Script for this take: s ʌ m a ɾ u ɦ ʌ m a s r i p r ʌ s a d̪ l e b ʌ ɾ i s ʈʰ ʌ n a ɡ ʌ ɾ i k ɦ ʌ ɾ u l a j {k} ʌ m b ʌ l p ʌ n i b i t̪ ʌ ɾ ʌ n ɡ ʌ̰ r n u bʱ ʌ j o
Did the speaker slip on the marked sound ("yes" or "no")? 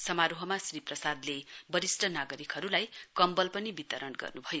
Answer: no